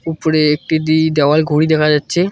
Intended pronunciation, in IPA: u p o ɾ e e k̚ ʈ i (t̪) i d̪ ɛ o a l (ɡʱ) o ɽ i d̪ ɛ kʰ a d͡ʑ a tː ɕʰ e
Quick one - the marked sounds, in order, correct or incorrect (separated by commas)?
incorrect, correct